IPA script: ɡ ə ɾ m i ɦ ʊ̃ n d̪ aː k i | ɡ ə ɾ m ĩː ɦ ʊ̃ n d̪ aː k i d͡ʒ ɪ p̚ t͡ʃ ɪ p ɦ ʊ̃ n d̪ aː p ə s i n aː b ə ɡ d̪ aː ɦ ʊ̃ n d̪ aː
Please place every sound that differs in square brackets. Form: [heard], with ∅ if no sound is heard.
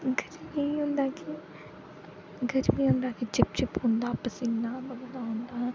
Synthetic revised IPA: ɡ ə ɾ m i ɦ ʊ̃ n d̪ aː k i | ɡ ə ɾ m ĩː ɦ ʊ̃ n d̪ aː k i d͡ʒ ɪ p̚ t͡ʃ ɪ p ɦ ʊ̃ n d̪ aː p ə s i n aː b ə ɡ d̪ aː ɦ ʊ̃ n d̪ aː